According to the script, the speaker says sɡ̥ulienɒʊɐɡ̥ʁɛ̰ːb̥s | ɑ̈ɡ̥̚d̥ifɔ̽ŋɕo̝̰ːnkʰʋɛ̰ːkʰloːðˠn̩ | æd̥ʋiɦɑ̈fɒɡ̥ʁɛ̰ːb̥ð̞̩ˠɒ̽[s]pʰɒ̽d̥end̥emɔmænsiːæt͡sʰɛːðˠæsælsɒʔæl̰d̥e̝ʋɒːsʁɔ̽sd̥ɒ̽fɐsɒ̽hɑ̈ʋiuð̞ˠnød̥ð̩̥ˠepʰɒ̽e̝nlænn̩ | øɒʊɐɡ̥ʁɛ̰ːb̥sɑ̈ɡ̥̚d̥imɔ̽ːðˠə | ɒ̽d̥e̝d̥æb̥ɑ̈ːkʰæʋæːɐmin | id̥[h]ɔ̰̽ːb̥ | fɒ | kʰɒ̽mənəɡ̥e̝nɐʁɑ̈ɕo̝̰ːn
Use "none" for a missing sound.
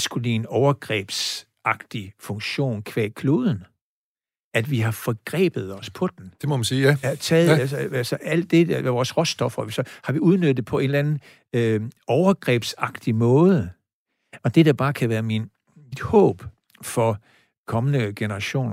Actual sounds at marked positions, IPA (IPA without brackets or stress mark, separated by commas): s, h